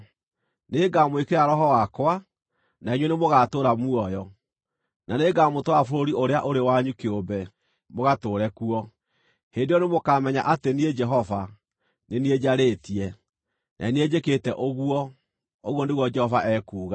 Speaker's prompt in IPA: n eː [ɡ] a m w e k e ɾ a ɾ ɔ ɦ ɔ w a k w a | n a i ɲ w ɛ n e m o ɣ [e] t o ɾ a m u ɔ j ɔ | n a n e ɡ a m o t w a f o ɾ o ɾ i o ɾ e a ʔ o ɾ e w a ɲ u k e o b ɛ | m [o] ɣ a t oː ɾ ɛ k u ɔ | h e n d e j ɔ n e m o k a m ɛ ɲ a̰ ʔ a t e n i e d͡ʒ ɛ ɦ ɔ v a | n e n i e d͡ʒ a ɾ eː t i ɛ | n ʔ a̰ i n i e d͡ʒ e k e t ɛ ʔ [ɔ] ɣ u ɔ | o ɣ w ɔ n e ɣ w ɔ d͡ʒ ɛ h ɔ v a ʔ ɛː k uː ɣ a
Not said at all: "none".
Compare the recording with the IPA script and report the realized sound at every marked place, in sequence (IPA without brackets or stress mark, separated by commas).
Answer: ɡ, a, o, o